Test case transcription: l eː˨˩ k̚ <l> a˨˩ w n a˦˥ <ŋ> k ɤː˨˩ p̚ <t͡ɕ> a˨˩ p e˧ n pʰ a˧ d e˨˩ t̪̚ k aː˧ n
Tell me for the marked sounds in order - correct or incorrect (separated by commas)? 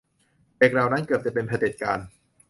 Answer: incorrect, incorrect, correct